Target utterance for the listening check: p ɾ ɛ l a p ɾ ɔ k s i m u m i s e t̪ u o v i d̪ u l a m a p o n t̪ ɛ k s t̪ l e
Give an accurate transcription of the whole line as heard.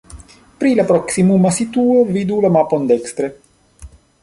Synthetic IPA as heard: p ɾ i l a p ɾ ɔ k s i m u m a s i t̪ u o v i d̪ u l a m a p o n d̪ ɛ k s t̪ ɾ e